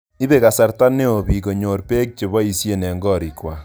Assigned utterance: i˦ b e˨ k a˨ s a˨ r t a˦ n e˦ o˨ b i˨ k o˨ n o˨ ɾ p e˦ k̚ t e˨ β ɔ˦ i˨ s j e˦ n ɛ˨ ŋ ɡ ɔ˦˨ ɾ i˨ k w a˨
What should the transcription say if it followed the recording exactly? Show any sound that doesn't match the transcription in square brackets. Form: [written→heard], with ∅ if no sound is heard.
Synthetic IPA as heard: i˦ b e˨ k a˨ s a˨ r t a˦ n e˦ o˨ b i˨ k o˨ [n→ɲ] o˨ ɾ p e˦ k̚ [t→t͡ʃ] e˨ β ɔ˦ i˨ s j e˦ n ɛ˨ ŋ ɡ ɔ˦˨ ɾ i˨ k w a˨